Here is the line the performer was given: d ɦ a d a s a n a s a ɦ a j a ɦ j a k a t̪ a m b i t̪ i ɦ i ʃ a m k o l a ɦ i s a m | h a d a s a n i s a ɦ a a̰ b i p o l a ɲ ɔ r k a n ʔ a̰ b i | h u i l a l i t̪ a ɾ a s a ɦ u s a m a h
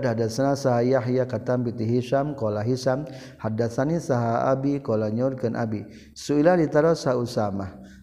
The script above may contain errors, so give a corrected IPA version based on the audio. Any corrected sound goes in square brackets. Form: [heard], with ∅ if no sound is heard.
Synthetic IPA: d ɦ a d a s a n a s a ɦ a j a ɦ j a k a t̪ a m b i t̪ i ɦ i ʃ a m k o l a ɦ i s a m | h a d a s a n i s a ɦ a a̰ b i [k] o l a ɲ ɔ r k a n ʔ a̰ b i | [s] u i l a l i t̪ a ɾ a s a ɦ u s a m a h